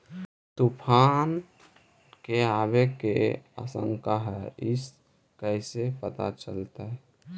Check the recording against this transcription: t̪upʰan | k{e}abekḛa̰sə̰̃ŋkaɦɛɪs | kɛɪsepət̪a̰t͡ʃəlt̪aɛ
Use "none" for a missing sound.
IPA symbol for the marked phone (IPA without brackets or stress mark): e